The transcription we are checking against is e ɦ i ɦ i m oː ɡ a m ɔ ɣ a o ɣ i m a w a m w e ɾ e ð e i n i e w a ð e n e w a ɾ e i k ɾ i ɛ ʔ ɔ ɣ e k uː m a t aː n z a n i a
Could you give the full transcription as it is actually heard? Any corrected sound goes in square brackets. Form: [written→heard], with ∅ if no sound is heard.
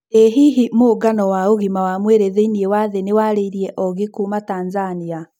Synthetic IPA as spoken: e ɦ i ɦ i m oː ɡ a [m→n] ɔ [ɣ→w] a o ɣ i m a w a m w e ɾ e ð e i n i e w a ð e n e w a ɾ e i [k→∅] ɾ i ɛ ʔ ɔ ɣ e k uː m a t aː n z a n i a